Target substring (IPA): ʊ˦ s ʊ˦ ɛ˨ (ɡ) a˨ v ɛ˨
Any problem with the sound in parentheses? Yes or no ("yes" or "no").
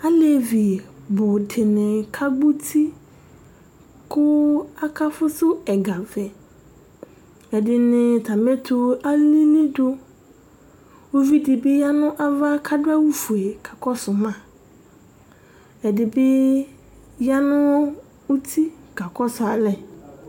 no